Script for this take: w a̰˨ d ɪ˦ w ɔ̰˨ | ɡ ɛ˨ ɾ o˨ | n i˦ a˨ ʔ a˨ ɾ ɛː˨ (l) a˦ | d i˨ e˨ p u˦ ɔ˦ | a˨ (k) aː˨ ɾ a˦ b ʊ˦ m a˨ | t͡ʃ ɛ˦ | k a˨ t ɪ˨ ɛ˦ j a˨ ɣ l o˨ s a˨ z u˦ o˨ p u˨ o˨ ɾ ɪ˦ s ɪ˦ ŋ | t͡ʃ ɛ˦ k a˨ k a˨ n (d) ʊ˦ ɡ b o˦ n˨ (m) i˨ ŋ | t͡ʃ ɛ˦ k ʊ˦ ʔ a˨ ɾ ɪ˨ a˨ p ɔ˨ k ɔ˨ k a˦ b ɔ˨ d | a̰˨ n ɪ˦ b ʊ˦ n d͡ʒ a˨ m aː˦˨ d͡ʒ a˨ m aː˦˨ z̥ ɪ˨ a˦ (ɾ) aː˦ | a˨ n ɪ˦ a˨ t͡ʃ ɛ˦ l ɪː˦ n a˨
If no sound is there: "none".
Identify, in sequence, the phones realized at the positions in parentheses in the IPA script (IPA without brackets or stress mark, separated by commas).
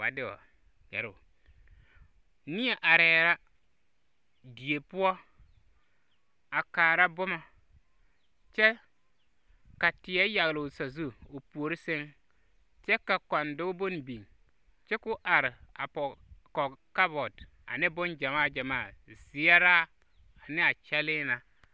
ɾ, k, d, b, ɾ